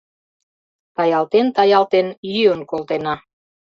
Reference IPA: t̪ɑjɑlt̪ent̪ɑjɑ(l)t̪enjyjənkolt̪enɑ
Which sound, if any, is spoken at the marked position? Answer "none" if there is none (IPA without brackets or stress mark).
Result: l